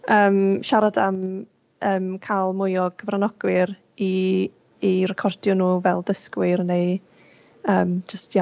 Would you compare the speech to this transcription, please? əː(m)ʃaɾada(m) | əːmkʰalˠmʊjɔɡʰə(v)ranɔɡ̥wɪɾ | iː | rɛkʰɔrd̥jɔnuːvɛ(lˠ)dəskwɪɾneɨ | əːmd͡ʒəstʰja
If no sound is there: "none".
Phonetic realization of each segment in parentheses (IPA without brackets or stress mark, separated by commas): m, m, v, lˠ